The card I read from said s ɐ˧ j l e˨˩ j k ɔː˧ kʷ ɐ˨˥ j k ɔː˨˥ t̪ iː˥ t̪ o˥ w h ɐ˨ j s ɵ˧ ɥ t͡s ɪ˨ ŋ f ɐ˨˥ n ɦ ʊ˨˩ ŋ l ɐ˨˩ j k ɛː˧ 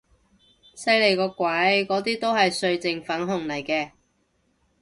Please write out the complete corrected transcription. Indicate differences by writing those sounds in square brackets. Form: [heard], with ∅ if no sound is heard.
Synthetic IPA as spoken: s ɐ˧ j l e˨˩ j k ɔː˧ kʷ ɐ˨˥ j k ɔː˨˥ t̪ iː˥ t̪ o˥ w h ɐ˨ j s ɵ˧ ɥ t͡s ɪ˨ ŋ f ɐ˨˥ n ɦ ʊ˨˩ ŋ l ɐ˨˩ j k ɛː˧